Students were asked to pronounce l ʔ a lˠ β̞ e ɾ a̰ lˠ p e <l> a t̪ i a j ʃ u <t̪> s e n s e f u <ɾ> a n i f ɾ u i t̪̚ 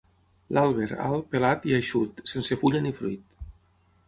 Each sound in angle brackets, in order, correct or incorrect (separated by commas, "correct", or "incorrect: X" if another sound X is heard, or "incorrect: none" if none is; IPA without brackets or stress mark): correct, correct, incorrect: ʎ